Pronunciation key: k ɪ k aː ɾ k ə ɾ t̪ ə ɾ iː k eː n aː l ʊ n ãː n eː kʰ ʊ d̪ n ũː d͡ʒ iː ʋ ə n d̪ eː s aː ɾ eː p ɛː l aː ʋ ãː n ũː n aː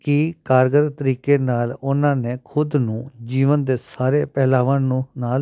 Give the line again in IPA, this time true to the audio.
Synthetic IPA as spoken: k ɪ k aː ɾ ɡ ə ɾ t̪ ə ɾ iː k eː n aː l ʊ n ãː n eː kʰ ʊ d̪ n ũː d͡ʒ iː ʋ ə n d̪ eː s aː ɾ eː p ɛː l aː ʋ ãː n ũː n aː